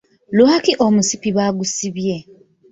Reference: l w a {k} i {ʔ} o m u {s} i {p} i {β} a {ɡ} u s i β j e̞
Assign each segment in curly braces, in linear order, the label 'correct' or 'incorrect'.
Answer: correct, correct, correct, correct, correct, correct

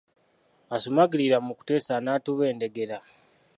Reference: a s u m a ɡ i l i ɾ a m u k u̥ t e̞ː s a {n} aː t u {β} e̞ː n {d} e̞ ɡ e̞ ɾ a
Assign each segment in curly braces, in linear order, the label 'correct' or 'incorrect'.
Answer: correct, correct, correct

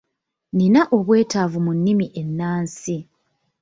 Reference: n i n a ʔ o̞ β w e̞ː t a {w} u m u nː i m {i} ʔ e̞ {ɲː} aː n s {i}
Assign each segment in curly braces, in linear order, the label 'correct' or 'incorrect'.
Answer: incorrect, correct, incorrect, correct

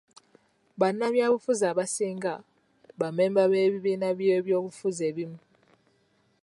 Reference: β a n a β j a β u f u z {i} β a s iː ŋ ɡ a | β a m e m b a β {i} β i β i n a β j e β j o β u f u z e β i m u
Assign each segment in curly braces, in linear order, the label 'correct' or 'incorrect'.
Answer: incorrect, incorrect

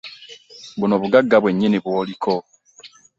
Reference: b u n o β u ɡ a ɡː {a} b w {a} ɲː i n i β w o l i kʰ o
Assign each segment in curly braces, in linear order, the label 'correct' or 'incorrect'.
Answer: correct, incorrect

